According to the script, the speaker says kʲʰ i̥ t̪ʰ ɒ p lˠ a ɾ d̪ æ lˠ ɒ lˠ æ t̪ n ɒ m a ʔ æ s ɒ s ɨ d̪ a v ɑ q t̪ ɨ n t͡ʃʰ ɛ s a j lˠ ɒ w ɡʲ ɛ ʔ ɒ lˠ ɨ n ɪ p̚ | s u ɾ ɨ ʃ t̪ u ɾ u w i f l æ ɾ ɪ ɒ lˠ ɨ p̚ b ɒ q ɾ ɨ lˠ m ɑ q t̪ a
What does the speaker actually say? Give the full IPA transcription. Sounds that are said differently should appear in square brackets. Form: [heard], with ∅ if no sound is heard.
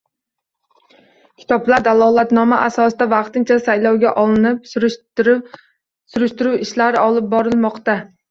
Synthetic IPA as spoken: kʲʰ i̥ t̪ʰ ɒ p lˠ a ɾ d̪ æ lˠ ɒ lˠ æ t̪ n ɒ m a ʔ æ s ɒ s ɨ d̪ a v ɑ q t̪ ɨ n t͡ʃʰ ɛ s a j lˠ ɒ w ɡʲ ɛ ʔ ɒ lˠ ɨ n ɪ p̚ | s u ɾ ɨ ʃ t̪ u ɾ u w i [ʃ] l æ ɾ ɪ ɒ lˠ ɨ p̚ b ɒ [∅] ɾ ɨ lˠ m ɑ q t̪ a